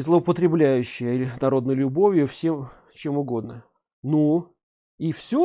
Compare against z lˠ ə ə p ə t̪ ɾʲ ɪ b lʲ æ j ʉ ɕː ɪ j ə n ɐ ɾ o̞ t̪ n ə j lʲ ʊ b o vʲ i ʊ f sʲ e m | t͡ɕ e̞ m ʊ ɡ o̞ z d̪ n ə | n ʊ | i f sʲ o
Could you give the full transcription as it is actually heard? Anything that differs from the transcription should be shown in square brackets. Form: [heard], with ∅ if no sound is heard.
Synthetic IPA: z lˠ ə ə p ə t̪ ɾʲ ɪ b lʲ æ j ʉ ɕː ɪ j ə n ɐ ɾ o̞ [d̪] n ə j lʲ ʊ b o vʲ [j] ʊ f sʲ e m | t͡ɕ e̞ m ʊ ɡ o̞ [∅] d̪ n ə | n [u] | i f sʲ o